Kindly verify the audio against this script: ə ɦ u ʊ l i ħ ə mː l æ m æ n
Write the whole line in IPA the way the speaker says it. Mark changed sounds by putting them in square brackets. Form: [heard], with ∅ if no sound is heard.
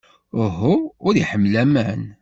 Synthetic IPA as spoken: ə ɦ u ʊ [ɾ] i ħ ə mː l æ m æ n